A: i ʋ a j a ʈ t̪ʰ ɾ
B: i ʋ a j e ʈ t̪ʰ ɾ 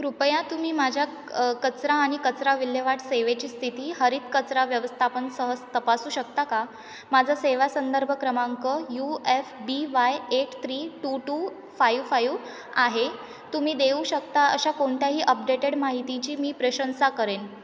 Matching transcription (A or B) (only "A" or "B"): B